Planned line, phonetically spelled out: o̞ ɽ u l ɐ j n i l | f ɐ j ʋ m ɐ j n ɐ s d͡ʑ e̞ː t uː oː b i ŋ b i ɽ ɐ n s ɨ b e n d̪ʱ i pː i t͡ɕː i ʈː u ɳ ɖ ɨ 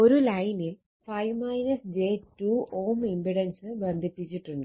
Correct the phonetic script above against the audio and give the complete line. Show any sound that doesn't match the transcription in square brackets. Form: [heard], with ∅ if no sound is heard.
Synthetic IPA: o̞ [ɾ] u l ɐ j n i l | f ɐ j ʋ m ɐ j n ɐ s d͡ʑ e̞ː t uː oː [m] i [m] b i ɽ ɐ n s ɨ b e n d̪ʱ i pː i t͡ɕː i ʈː u ɳ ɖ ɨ